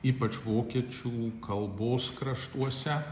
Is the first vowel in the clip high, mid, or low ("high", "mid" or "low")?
high